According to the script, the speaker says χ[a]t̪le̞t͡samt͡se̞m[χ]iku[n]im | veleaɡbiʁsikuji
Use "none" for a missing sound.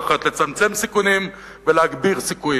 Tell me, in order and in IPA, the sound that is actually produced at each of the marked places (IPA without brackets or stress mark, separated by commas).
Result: a, s, n